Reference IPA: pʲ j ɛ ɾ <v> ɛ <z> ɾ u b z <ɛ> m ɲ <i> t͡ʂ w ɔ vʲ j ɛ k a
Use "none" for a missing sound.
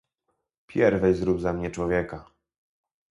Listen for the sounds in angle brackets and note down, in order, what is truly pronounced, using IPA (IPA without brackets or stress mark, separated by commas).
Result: v, z, a, ɛ